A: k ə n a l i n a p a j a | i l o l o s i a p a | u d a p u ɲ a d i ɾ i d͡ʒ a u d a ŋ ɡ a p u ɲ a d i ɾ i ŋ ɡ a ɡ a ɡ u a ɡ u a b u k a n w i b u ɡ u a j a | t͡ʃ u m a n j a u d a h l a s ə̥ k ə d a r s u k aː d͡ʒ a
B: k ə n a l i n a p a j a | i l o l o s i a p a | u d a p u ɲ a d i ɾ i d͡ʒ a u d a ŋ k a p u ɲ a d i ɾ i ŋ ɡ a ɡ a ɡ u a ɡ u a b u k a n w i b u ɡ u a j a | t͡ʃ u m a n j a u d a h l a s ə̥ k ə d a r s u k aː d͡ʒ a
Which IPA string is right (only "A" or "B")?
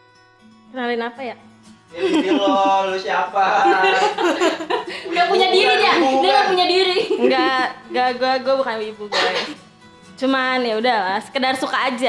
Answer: A